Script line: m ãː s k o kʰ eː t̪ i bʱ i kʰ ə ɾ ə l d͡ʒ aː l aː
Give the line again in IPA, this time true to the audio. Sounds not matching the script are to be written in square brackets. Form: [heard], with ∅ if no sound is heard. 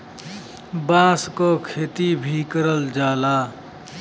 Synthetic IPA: [b] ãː s k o kʰ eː t̪ i bʱ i [k] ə ɾ ə l d͡ʒ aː l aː